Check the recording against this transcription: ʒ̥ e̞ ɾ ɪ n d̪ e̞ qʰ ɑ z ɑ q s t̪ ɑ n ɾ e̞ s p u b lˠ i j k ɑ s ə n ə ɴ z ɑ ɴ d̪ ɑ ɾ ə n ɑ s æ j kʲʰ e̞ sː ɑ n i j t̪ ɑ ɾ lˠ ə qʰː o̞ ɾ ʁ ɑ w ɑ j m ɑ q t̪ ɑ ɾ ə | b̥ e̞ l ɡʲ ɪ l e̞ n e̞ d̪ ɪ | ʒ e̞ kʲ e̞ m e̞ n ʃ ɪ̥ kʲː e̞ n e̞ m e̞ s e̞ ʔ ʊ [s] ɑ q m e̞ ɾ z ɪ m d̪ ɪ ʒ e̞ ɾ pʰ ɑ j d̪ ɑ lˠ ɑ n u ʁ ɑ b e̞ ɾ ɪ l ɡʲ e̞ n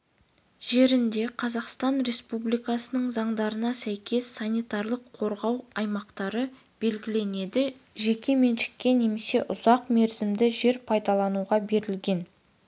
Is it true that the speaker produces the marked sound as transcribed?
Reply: no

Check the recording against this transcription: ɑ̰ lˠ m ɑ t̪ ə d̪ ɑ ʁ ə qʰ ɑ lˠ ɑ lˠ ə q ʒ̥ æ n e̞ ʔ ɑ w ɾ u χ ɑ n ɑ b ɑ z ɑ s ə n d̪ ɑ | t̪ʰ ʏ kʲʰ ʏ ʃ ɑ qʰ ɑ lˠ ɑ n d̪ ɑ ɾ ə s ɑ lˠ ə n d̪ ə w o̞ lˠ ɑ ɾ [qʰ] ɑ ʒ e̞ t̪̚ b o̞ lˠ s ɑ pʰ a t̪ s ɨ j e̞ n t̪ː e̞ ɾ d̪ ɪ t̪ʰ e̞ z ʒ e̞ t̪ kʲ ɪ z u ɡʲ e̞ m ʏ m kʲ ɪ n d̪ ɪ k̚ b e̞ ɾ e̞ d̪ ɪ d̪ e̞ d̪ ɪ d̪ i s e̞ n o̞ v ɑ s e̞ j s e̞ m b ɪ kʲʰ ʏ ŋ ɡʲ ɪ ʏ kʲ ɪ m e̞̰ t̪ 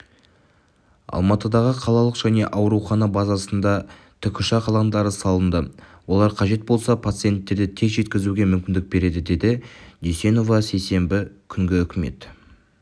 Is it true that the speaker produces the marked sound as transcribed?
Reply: yes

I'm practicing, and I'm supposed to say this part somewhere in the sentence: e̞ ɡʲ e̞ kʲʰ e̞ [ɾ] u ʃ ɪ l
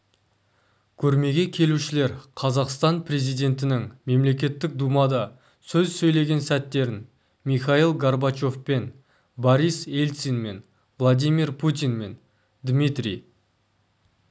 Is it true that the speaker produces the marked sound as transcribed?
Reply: no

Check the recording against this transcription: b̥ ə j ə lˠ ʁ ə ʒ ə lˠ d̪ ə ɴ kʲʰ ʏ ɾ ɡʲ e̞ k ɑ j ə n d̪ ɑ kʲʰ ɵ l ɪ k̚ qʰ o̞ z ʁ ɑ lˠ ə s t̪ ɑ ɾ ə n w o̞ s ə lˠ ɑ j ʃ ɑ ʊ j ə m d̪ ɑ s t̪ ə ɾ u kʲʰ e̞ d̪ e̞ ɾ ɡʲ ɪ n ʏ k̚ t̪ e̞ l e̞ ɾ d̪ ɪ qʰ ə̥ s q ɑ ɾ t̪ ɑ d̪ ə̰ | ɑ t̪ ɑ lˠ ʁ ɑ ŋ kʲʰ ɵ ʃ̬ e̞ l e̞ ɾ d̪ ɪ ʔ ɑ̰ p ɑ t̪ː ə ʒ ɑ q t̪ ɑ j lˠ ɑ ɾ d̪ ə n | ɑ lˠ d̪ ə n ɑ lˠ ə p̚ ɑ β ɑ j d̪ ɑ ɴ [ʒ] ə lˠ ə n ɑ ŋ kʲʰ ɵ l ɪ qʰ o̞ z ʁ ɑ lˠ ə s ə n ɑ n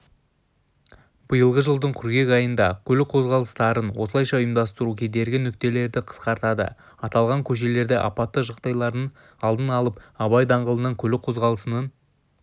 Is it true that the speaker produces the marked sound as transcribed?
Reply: no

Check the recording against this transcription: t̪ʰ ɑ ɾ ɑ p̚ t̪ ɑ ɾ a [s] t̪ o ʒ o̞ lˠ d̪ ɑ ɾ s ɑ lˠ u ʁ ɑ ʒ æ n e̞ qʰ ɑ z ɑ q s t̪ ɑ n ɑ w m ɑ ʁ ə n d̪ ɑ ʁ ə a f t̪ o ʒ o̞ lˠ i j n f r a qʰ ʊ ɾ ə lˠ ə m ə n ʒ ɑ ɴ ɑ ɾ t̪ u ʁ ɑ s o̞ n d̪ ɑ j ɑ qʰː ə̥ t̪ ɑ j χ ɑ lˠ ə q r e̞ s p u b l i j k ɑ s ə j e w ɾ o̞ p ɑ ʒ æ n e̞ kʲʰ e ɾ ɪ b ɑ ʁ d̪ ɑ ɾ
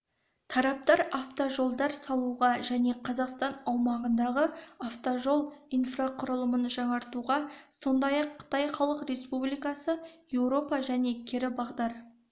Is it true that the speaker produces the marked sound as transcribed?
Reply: no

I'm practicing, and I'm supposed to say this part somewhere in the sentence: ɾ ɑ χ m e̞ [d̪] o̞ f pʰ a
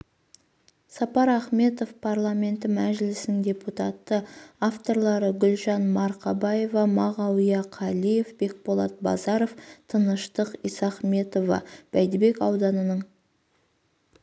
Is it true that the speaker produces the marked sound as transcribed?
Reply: no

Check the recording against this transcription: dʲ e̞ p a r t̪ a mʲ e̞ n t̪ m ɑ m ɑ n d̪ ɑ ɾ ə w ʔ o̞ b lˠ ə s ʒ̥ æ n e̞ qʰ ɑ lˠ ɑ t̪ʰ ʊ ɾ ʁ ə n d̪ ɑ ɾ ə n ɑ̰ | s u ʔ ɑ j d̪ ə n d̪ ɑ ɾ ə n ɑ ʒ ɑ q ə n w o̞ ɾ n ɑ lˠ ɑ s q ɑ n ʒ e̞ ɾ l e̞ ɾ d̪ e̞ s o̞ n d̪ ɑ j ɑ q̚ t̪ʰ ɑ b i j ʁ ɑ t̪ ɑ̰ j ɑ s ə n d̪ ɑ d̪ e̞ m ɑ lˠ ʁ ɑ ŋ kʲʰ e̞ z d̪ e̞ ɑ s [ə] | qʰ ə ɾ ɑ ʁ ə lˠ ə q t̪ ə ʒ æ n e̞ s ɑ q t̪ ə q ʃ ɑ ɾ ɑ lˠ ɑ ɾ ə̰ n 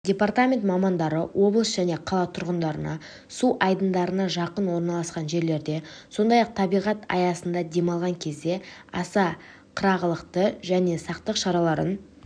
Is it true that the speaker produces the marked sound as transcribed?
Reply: no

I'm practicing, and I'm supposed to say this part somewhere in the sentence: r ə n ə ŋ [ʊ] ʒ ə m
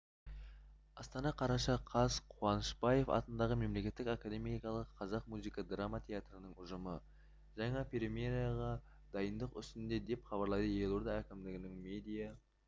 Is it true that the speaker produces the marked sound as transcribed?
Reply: yes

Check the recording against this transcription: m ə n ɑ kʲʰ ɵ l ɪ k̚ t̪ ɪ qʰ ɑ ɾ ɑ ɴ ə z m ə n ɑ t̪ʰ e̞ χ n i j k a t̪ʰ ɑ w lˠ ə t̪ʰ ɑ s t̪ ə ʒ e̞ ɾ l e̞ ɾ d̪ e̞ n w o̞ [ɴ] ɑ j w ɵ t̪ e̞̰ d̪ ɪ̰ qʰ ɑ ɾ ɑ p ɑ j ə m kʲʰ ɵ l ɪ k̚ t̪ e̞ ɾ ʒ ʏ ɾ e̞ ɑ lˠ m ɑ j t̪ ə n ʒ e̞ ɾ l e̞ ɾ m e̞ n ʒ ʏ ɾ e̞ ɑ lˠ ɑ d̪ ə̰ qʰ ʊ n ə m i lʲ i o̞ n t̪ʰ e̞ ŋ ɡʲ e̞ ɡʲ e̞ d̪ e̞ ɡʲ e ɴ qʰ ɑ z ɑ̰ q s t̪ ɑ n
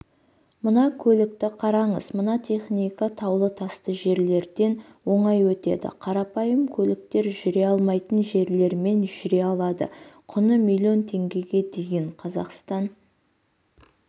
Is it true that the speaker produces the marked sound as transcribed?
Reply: yes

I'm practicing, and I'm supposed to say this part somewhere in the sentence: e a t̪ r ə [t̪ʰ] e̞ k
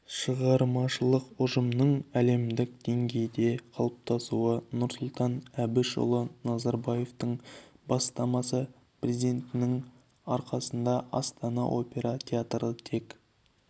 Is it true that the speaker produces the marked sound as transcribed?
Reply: yes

